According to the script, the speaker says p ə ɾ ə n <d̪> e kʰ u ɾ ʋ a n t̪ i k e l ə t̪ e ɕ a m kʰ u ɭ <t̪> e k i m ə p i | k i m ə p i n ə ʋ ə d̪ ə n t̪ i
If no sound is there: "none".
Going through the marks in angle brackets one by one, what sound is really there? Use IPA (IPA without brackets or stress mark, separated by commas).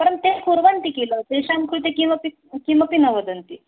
t̪, t̪